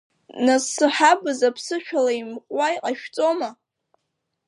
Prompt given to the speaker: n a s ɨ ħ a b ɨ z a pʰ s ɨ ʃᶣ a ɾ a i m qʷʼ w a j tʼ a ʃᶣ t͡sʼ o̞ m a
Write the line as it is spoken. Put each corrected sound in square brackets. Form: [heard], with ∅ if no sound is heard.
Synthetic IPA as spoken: n a s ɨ ħ a b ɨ z a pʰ s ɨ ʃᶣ a [l] a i m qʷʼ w a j [qʼ] a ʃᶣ t͡sʼ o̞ m a